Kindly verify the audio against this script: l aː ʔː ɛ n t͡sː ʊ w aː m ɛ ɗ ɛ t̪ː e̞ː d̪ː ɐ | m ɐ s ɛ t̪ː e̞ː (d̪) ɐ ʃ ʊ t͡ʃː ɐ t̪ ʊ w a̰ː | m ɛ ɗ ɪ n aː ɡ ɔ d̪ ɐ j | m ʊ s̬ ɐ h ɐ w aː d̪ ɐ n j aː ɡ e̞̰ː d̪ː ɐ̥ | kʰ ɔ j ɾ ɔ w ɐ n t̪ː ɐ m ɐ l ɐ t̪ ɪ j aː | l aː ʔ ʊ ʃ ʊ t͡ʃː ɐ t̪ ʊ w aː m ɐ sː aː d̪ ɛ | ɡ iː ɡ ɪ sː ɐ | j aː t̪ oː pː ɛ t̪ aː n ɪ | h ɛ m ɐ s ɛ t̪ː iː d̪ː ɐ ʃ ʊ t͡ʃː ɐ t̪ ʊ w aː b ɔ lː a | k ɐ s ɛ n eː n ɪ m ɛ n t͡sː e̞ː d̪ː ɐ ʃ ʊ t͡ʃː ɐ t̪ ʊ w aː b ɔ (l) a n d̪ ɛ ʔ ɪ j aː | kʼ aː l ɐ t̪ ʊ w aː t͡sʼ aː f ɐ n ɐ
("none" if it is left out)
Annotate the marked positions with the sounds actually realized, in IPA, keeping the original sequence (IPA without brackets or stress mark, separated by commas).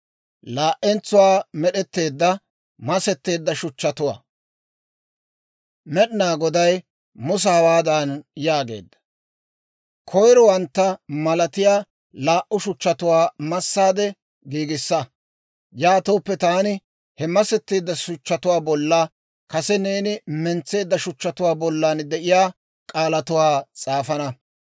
d̪ː, lː